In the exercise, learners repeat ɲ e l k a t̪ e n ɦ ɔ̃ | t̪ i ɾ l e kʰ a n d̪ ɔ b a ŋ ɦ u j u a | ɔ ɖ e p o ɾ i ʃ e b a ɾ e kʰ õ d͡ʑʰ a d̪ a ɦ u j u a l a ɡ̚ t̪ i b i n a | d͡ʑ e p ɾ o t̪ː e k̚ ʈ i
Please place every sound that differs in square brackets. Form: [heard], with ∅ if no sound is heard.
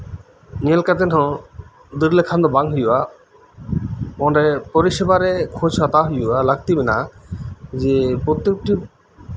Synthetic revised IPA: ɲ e l k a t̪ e n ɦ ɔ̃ | [d̪] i ɾ l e kʰ a n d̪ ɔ b a ŋ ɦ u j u a | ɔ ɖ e p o ɾ i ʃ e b a ɾ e kʰ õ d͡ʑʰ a [t̪] a ɦ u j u a l a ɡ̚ t̪ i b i n a | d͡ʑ e p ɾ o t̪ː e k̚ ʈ i